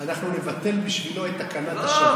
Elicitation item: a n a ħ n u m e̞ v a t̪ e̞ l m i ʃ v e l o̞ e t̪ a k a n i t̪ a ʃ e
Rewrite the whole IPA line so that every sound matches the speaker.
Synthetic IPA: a n a χ n u n e̞ v a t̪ e̞ l b i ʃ v i l o̞ e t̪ a k a n a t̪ a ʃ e